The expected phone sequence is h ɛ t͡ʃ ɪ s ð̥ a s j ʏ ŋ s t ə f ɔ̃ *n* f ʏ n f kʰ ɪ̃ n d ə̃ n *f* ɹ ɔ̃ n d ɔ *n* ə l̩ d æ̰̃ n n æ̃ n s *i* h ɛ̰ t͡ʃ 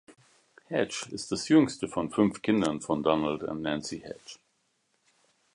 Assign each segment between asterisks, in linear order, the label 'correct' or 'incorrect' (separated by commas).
correct, correct, correct, correct